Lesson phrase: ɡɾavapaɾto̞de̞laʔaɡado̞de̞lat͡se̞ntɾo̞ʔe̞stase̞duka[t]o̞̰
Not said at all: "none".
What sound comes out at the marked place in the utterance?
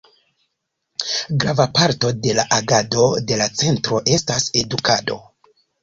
d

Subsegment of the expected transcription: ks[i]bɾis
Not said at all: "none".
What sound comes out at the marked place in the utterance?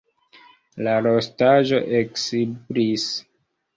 i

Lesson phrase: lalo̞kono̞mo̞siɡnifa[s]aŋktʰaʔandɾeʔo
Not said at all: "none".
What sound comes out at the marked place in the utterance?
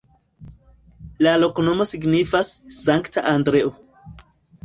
sː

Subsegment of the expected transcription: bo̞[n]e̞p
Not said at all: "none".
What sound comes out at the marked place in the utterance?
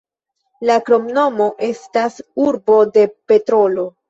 d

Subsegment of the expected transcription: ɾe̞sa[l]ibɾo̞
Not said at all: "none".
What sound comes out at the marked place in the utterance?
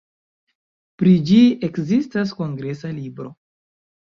l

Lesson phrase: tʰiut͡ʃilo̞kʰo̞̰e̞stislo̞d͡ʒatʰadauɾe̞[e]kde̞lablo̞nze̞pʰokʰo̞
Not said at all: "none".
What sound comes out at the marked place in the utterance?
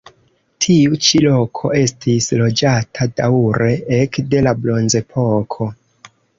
e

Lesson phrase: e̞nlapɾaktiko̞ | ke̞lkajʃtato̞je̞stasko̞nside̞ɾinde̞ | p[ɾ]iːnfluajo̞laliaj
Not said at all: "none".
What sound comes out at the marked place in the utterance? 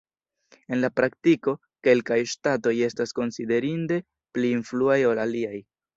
l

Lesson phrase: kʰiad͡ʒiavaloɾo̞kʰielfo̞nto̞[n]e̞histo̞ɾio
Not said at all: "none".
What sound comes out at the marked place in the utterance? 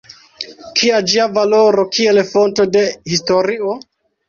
d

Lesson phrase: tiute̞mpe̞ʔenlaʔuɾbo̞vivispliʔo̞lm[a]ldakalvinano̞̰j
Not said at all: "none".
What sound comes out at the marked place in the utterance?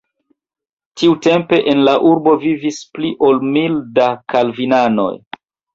i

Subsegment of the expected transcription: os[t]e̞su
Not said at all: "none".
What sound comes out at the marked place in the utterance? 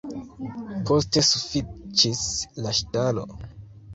t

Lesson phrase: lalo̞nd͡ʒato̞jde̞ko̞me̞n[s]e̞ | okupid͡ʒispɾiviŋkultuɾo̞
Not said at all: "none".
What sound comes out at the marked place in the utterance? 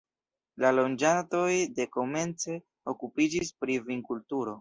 t͡s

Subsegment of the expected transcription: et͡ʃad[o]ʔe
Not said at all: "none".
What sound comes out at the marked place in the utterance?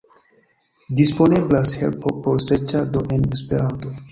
o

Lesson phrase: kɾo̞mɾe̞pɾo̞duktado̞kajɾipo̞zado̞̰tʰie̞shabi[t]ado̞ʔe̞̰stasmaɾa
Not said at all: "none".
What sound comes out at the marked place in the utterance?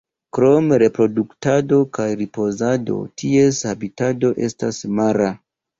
t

